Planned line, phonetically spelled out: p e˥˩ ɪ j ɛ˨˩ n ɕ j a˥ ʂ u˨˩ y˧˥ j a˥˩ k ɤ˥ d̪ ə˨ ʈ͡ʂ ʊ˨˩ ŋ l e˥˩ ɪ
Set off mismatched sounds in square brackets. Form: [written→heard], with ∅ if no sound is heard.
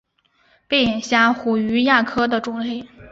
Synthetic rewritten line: p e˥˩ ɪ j ɛ˨˩ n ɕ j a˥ [ʂ→x] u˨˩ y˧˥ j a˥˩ [k→kʰ] ɤ˥ d̪ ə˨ ʈ͡ʂ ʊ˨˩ ŋ l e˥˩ ɪ